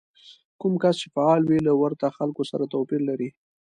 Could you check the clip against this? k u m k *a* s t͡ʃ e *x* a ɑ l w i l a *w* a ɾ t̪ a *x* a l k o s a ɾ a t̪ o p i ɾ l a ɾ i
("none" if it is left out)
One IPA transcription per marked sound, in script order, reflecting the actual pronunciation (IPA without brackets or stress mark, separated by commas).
a, f, w, x